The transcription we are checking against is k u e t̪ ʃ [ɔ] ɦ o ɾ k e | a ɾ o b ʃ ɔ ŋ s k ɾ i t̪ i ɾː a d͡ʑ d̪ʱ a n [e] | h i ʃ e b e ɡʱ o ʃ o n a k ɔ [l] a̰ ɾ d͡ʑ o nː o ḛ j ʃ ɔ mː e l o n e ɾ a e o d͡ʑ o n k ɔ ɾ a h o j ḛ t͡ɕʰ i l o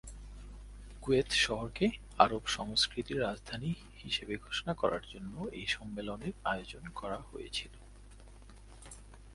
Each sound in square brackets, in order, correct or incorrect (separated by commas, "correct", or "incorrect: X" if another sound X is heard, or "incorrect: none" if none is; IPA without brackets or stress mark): correct, incorrect: i, incorrect: ɾ